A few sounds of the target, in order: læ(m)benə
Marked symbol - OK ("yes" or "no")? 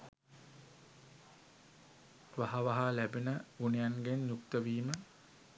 no